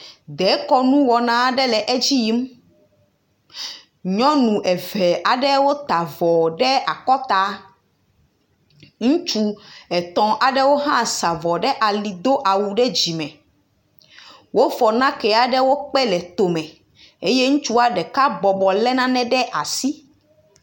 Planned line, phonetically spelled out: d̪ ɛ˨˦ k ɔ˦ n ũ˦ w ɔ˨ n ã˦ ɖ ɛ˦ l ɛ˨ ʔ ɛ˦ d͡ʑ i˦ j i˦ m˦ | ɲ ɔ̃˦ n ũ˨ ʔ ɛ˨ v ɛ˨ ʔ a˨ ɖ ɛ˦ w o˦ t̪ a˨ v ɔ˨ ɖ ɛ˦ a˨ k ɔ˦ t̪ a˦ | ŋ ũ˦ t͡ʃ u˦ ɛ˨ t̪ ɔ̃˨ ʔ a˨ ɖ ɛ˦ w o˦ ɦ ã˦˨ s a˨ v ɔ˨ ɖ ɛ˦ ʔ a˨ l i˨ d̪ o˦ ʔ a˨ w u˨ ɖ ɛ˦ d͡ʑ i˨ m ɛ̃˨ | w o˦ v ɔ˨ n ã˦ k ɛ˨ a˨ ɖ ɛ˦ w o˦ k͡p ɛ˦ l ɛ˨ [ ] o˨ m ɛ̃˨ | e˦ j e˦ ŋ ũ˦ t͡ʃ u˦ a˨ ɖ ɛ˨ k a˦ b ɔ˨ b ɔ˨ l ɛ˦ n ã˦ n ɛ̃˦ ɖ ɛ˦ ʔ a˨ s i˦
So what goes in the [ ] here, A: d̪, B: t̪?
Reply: B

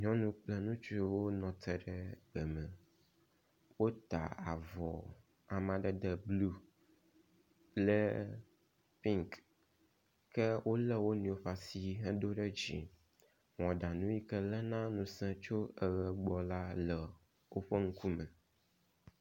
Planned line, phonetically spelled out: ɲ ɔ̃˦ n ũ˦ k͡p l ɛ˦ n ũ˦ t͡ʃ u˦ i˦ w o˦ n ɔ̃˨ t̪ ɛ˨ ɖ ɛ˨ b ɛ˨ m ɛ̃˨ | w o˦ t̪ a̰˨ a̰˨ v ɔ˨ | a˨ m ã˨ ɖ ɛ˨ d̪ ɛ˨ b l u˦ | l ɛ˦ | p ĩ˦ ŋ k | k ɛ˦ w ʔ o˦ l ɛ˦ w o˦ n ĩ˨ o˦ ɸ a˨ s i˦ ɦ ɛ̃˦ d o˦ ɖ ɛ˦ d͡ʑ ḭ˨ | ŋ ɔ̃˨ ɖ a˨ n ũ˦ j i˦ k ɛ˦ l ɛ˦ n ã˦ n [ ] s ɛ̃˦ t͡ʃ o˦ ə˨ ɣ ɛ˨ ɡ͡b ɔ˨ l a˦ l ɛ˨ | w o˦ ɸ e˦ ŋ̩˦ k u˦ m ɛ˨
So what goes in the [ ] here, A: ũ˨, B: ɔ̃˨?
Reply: A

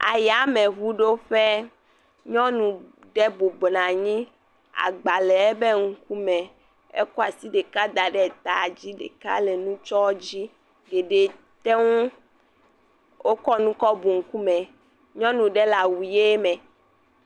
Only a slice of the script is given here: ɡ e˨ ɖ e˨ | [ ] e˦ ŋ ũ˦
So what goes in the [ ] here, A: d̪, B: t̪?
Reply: B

